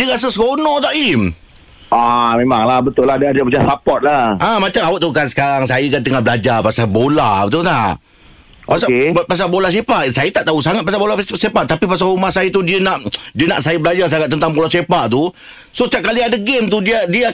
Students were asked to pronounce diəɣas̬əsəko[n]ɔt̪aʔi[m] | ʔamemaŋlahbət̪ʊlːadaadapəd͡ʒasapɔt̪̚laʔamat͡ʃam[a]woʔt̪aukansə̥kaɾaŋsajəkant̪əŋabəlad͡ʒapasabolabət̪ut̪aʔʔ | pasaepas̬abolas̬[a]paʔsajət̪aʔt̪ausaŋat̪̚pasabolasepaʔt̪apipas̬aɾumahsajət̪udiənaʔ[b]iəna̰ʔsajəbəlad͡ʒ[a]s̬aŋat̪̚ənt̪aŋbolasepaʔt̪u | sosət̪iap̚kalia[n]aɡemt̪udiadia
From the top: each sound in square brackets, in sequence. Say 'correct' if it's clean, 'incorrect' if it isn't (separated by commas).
correct, correct, correct, incorrect, incorrect, correct, incorrect